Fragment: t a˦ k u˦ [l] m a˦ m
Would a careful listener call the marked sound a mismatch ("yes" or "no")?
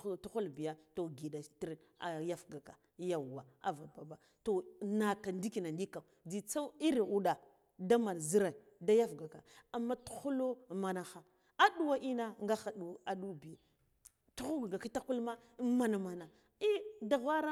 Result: no